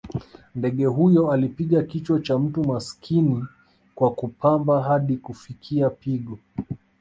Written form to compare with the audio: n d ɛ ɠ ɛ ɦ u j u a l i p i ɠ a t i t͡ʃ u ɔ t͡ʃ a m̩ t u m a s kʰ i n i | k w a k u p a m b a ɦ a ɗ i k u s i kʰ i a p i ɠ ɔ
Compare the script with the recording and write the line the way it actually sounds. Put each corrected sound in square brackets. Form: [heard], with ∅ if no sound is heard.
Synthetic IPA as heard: n d ɛ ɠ ɛ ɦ u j [ɔ] a l i p i ɠ a [k] i t͡ʃ [w] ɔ t͡ʃ a m̩ t u m a s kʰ i n i | k w a k u p a m b a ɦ a ɗ i k u [f] i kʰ i a p i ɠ ɔ